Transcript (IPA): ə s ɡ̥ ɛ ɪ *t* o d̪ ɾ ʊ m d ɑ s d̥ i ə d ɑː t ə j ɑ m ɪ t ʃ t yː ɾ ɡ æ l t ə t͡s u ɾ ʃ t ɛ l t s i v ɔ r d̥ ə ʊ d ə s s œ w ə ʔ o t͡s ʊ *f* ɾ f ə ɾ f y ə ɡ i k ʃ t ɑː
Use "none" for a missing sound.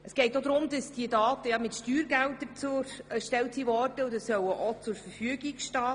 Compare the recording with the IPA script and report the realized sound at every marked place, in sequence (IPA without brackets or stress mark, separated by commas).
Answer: t, none